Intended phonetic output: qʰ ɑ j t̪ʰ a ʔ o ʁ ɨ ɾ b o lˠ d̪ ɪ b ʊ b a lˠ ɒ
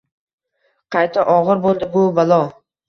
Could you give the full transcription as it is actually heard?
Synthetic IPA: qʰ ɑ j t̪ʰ a ʔ ɒ ʁ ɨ ɾ b o lˠ d̪ ɪ b ʊ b a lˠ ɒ